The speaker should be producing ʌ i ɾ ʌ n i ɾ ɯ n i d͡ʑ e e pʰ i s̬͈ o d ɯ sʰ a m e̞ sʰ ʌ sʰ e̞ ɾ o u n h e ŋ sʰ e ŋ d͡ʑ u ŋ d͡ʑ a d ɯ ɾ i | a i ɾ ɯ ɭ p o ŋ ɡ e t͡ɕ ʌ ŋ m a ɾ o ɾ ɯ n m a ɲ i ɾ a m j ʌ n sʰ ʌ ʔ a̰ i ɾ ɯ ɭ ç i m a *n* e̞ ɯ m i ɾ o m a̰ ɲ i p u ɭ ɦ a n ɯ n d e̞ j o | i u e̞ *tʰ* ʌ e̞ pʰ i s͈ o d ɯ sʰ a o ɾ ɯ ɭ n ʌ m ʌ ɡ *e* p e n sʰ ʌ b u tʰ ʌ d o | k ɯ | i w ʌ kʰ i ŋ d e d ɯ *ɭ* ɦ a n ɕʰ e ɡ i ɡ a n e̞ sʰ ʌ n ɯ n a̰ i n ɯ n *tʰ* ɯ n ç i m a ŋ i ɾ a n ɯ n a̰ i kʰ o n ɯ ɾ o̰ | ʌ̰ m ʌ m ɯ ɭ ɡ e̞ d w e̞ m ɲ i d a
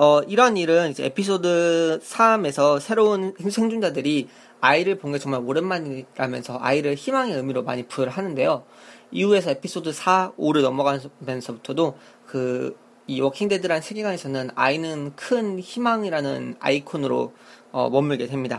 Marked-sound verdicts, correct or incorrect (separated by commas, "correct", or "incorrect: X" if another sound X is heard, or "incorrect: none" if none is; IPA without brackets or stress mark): incorrect: ŋ, incorrect: sʰ, incorrect: a, incorrect: ɾ, incorrect: kʰ